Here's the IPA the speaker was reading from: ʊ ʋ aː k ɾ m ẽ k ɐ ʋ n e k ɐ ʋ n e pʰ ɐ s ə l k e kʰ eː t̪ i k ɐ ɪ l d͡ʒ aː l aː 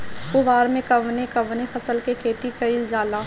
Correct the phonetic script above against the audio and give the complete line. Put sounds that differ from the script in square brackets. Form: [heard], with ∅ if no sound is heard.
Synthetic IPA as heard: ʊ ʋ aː [∅] ɾ m ẽ k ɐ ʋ n e k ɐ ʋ n e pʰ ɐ s ə l k e kʰ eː t̪ i k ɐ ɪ l d͡ʒ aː l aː

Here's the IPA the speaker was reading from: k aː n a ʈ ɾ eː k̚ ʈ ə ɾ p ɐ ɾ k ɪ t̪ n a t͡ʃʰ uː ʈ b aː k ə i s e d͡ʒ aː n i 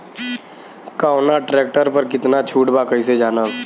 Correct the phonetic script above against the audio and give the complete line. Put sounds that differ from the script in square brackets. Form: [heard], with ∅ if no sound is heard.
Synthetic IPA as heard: k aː n a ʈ ɾ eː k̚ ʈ ə ɾ p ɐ ɾ k ɪ t̪ n a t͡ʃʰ uː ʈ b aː k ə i s e d͡ʒ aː n [a]

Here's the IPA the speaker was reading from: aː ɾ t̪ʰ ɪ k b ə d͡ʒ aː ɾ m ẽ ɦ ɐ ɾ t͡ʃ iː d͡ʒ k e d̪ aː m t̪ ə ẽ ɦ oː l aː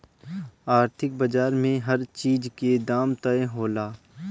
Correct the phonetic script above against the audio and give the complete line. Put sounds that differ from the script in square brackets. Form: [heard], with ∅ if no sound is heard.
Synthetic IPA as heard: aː ɾ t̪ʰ ɪ k b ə d͡ʒ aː ɾ m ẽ ɦ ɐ ɾ t͡ʃ iː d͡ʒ k e d̪ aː m t̪ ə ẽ ɦ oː l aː

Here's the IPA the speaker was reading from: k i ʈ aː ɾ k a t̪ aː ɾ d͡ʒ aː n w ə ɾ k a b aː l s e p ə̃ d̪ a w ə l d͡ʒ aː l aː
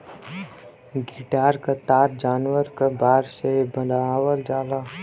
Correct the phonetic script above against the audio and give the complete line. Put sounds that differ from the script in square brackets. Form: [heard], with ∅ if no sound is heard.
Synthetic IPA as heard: [ɡ] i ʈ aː ɾ k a t̪ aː ɾ d͡ʒ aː n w ə ɾ k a b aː [ɾ] s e [b] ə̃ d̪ a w ə l d͡ʒ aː l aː

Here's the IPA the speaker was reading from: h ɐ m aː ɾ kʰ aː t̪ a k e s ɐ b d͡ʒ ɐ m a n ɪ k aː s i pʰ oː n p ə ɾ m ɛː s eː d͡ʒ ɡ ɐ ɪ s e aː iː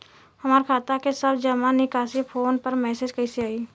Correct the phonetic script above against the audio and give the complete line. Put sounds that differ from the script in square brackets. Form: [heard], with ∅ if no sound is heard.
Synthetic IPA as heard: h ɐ m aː ɾ kʰ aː t̪ a k e s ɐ b d͡ʒ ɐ m a n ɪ k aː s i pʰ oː n p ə ɾ m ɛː s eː d͡ʒ [k] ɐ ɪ s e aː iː

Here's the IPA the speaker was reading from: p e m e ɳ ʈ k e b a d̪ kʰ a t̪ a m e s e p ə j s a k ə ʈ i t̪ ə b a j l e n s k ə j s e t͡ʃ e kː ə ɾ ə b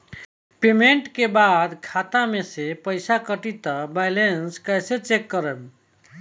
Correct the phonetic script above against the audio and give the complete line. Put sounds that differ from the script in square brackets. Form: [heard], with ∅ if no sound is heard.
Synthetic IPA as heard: p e m e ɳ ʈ k e b a d̪ kʰ a t̪ a m e s e p ə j s a k ə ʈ i t̪ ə b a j l e n s k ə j s e t͡ʃ e kː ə ɾ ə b

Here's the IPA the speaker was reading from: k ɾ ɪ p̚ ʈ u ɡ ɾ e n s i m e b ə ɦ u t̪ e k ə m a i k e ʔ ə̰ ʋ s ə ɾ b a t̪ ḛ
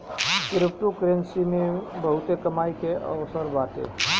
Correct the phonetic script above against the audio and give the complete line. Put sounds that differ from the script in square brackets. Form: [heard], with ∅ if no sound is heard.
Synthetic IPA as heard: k ɾ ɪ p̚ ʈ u [k] ɾ e n s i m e b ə ɦ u t̪ e k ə m a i k e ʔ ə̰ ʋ s ə ɾ b a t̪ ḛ

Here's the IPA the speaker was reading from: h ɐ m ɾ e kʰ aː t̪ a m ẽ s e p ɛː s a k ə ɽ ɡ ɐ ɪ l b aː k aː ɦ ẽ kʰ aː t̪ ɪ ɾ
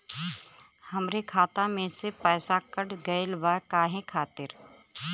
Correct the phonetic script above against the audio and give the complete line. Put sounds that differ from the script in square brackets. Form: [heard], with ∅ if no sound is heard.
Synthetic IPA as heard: h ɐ m ɾ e kʰ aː t̪ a m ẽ s e p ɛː s a k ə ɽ ɡ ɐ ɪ l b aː k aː ɦ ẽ kʰ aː t̪ ɪ ɾ

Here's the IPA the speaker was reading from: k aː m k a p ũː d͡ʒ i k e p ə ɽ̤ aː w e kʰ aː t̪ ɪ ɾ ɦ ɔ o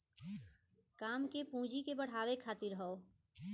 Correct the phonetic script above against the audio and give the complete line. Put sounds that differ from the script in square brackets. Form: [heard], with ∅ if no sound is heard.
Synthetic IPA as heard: k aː m k [e] p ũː d͡ʒ i k e [b] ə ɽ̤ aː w e kʰ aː t̪ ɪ ɾ ɦ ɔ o

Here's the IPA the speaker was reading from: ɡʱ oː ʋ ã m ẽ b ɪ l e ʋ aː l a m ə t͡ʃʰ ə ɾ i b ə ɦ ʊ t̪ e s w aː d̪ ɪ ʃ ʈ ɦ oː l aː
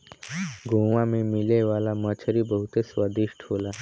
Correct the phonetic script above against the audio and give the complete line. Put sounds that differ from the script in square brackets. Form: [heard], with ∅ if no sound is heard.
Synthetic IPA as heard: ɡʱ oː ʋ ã m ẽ [m] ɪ l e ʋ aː l a m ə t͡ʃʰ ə ɾ i b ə ɦ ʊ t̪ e s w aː d̪ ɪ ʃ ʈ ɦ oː l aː

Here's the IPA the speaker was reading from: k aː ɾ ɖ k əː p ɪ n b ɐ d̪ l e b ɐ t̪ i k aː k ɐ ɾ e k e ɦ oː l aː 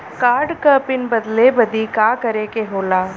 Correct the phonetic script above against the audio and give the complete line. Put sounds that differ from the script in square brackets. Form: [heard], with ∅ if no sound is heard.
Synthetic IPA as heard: k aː ɾ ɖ k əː p ɪ n b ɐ d̪ l e b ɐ [d̪] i k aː k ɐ ɾ e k e ɦ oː l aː

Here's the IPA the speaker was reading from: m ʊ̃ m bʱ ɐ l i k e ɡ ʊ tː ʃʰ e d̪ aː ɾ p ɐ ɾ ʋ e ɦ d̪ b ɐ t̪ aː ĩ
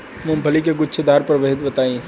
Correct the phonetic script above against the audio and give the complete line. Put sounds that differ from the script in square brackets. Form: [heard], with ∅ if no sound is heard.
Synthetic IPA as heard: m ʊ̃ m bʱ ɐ l i k e ɡ ʊ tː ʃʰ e d̪ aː ɾ p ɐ ɾ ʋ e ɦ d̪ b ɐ t̪ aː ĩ

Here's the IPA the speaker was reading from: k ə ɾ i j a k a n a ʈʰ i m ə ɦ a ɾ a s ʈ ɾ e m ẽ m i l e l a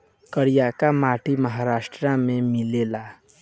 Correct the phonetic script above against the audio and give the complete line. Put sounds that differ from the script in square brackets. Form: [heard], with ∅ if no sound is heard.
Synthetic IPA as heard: k ə ɾ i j a k a [m] a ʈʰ i m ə ɦ a ɾ a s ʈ ɾ [a] m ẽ m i l e l a

